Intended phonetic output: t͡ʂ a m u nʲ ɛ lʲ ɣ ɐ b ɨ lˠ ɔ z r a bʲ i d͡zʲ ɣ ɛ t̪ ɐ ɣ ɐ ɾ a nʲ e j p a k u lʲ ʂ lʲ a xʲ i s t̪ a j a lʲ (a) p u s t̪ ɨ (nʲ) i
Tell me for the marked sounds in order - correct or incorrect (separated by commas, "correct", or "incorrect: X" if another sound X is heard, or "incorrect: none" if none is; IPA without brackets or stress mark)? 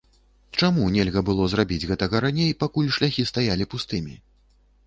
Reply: incorrect: i, incorrect: mʲ